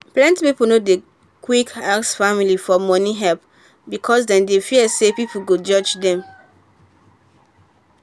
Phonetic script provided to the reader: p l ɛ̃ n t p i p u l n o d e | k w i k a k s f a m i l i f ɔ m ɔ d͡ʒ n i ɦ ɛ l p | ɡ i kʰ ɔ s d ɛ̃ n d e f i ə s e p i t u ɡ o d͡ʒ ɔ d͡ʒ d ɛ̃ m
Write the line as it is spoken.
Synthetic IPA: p l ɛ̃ n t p i p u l n o d e | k w i k a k s f a m i l i f ɔ m ɔ n i ɦ ɛ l p | b i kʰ ɔ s d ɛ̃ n d e f i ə s e p i p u ɡ o d͡ʒ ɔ d͡ʒ d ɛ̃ m